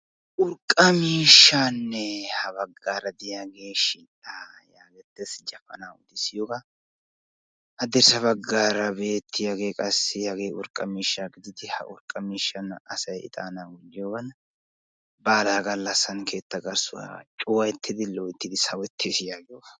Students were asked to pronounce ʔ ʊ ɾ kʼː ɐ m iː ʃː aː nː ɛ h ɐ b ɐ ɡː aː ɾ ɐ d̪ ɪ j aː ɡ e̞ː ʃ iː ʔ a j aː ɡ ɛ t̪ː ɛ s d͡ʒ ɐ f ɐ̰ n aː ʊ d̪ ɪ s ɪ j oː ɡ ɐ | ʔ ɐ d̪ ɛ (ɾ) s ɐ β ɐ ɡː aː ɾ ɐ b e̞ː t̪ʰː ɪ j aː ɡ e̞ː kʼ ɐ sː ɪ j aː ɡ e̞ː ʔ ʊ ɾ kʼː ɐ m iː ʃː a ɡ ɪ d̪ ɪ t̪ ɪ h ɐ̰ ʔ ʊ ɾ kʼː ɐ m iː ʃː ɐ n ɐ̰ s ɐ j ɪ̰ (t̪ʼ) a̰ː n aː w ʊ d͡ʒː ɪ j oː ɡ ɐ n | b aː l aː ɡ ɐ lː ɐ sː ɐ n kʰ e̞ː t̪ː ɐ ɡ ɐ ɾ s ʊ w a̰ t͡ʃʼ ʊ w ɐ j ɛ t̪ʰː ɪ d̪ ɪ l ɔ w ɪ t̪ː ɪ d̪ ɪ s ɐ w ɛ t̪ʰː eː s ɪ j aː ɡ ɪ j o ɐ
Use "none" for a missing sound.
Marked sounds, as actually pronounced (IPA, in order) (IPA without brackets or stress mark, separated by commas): ɾ, t̪ʼ